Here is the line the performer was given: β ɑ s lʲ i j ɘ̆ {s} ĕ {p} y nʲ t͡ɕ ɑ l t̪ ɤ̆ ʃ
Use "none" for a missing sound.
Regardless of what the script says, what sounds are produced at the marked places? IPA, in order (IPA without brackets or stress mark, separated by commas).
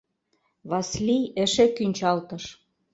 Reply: ʃ, k